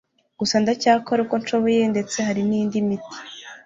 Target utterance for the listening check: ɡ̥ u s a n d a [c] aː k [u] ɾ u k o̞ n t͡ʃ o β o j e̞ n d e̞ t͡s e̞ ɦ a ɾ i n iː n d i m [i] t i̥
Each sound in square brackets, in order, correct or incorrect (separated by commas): correct, incorrect, correct